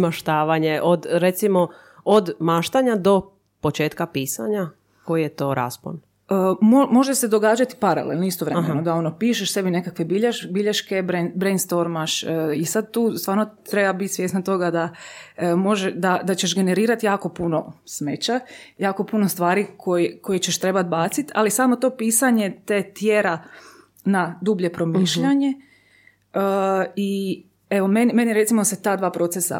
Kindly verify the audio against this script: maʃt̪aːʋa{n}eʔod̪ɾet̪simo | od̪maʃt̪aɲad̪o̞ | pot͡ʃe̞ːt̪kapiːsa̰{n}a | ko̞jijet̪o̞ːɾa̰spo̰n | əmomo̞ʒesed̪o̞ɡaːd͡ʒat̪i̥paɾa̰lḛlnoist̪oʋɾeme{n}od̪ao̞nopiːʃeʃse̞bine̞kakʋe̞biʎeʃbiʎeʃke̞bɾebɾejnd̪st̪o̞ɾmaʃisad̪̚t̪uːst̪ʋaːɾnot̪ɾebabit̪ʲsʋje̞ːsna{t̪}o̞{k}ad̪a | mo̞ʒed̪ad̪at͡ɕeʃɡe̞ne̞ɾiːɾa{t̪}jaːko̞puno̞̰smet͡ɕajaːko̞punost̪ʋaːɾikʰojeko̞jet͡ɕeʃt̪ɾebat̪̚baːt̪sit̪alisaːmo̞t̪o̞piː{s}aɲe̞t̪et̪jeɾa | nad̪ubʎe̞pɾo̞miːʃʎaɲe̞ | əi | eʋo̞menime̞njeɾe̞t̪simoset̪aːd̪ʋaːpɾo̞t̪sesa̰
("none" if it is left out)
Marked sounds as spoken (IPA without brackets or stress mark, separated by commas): ɲ, ɲ, n, t̪, ɡ, t̪, s